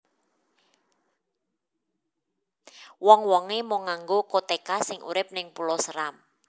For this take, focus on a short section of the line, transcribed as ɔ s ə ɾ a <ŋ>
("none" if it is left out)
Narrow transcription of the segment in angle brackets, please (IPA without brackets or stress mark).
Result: m